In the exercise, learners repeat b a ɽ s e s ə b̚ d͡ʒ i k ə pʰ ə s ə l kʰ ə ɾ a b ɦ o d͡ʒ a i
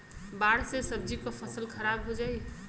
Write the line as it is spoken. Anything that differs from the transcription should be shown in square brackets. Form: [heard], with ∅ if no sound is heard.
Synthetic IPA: b a ɽ s e s ə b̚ d͡ʒ i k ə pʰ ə s ə l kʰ ə ɾ a b ɦ o d͡ʒ a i